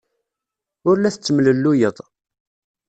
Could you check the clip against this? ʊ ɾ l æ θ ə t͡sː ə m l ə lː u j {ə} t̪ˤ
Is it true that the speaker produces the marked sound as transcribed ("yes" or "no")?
yes